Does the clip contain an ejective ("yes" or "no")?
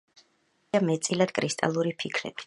yes